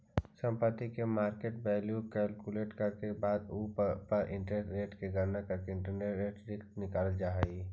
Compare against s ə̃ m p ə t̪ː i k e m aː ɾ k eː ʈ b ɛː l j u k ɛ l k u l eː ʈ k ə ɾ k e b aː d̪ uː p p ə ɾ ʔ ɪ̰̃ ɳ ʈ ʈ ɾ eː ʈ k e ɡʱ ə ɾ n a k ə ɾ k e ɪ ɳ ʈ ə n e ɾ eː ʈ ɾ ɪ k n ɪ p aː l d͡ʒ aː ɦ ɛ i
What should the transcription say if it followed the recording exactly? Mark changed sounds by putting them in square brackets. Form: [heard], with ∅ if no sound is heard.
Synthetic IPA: s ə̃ m p ə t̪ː i k e m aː ɾ k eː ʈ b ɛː l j u k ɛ l k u l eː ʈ k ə ɾ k e b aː d̪ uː p p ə ɾ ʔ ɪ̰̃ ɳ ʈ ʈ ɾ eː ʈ k e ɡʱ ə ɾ n a k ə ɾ k e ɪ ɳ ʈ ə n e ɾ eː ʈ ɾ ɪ k n ɪ [k] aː l d͡ʒ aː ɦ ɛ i